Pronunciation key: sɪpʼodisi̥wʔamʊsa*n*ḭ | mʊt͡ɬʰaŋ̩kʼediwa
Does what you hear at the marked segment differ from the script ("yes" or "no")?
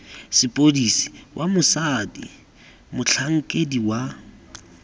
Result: yes